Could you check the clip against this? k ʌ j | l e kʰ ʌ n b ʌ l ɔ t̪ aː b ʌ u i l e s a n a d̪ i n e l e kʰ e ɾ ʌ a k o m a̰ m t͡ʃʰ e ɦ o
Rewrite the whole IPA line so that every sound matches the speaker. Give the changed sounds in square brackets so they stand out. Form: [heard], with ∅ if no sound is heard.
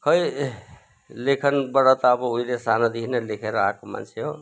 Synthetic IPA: k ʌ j | l e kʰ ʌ n b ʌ [ɽ] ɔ t̪ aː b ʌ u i l e s a n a d̪ i n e l e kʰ e ɾ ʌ a k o m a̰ [n] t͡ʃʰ e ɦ o

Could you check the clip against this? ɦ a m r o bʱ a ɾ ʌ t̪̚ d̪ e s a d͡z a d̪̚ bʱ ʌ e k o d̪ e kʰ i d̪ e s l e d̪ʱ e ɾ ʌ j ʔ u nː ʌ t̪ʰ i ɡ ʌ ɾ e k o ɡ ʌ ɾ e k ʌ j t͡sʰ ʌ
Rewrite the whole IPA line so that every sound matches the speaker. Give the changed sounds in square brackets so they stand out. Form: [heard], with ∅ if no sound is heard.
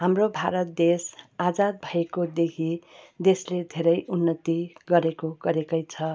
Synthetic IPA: ɦ a m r o bʱ a ɾ ʌ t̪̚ d̪ e s a d͡z a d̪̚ bʱ ʌ e k o d̪ e kʰ i d̪ e s l e d̪ʱ e ɾ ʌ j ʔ u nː ʌ [t̪] i ɡ ʌ ɾ e k o ɡ ʌ ɾ e k ʌ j t͡sʰ ʌ

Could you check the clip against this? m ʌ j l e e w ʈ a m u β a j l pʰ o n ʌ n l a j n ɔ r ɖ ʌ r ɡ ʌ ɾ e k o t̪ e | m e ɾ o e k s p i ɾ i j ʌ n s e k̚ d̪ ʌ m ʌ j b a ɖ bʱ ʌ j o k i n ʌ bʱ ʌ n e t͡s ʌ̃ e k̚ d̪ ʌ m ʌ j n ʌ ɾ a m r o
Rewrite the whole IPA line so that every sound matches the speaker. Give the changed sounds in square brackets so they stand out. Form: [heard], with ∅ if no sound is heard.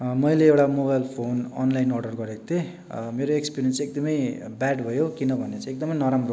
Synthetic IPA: m ʌ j l e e w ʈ a m [o] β a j l pʰ o n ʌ n l a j n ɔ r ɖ ʌ r ɡ ʌ ɾ e k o t̪ e | m e ɾ o e k s p i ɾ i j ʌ n s e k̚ d̪ ʌ m ʌ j b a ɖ bʱ ʌ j o k i n ʌ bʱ ʌ n e t͡s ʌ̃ e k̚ d̪ ʌ m ʌ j n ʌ ɾ a m r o

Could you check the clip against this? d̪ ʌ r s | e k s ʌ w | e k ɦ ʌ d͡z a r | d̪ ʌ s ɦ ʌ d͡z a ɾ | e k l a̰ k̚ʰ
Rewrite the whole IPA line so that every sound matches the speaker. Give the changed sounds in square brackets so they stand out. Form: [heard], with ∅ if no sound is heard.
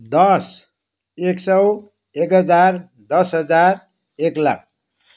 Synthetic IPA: d̪ ʌ [∅] s | e k s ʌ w | e k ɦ ʌ d͡z a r | d̪ ʌ s ɦ ʌ d͡z a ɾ | e k l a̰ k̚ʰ

